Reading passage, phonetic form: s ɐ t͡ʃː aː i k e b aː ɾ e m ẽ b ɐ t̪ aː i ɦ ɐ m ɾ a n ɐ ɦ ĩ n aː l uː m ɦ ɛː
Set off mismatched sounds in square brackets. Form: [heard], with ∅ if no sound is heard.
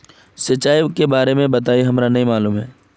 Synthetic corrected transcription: s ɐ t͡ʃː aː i k e b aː ɾ e m ẽ b ɐ t̪ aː i ɦ ɐ m ɾ a n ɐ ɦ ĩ [m] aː l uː m ɦ ɛː